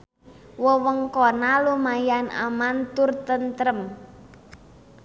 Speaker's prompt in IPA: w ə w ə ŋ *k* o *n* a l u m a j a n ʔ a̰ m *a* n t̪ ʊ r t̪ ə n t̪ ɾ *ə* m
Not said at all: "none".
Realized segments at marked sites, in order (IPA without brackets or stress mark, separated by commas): k, n, a, ə